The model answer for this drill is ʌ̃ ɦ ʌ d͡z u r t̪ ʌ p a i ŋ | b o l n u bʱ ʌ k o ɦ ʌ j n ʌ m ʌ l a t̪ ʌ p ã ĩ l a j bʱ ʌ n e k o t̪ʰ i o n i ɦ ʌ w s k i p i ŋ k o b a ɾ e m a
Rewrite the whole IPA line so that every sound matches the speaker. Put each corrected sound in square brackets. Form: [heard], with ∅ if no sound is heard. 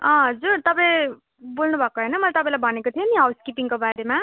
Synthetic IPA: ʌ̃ ɦ ʌ d͡z u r t̪ ʌ p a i [∅] | b o l n u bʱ ʌ k o ɦ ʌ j n ʌ m ʌ l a t̪ ʌ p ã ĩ l a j bʱ ʌ n e k o t̪ʰ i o n i ɦ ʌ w s k i p i ŋ k o b a ɾ e m a